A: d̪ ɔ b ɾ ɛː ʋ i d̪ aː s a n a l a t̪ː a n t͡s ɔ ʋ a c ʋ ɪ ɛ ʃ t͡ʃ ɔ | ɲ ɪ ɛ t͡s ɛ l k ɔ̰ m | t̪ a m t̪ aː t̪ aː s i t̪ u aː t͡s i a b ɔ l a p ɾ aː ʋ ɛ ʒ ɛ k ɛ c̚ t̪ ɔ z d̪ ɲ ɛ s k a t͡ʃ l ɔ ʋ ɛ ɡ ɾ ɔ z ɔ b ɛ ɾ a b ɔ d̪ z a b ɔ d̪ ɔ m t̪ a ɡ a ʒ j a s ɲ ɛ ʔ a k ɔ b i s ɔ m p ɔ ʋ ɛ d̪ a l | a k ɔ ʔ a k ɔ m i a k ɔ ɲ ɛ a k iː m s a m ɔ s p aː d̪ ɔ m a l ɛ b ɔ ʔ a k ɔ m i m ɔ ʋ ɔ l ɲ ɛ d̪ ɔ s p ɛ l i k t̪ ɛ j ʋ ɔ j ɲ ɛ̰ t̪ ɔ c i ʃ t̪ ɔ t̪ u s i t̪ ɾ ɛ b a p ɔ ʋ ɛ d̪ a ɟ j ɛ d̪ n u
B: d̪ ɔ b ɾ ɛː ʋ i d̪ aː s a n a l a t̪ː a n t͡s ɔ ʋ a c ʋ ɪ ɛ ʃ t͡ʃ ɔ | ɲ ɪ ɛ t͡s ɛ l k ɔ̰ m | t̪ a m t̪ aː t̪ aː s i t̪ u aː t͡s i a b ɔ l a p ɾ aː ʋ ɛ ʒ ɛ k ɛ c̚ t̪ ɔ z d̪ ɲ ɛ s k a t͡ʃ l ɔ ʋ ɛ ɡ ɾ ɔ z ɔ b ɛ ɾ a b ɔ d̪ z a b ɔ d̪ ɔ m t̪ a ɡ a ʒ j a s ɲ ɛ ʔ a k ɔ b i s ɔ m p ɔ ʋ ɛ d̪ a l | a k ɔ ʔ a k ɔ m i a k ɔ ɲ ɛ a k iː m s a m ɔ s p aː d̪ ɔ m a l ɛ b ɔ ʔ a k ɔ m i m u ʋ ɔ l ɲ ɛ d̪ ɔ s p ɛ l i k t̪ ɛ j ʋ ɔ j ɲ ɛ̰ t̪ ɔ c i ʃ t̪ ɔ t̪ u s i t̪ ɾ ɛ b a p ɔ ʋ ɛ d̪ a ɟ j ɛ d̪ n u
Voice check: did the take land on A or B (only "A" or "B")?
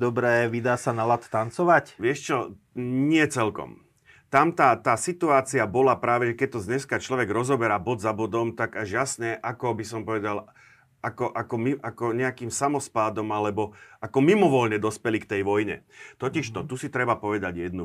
A